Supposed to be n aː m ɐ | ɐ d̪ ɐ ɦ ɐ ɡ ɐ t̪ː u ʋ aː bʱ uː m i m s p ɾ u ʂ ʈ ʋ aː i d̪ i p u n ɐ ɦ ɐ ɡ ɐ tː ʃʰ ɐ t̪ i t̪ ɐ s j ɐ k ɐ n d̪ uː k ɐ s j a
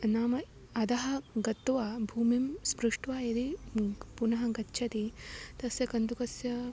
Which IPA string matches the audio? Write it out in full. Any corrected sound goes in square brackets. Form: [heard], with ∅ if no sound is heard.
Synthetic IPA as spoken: n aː m ɐ | ɐ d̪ ɐ ɦ ɐ ɡ ɐ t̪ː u ʋ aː bʱ uː m i m s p ɾ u ʂ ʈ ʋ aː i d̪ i p u n ɐ ɦ ɐ ɡ ɐ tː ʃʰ ɐ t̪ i t̪ ɐ s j ɐ k ɐ n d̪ [u] k ɐ s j [ɐ]